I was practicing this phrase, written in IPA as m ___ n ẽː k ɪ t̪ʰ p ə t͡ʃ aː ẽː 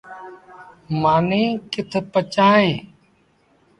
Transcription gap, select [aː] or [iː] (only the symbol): aː